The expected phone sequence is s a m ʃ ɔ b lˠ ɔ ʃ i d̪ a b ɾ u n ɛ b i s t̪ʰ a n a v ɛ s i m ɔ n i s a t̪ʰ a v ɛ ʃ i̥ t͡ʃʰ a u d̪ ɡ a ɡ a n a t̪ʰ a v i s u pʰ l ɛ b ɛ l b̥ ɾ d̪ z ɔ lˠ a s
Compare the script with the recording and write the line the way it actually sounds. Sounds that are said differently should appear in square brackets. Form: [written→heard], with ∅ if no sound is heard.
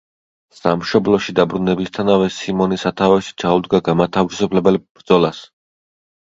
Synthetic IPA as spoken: s a m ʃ ɔ b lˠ ɔ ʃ i d̪ a b ɾ u n ɛ b i s t̪ʰ a n a v ɛ s i m ɔ n i s a t̪ʰ a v ɛ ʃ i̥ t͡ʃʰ a u d̪ ɡ a ɡ a [n→m] a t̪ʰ a v i s u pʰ l ɛ b ɛ l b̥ ɾ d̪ z ɔ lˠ a s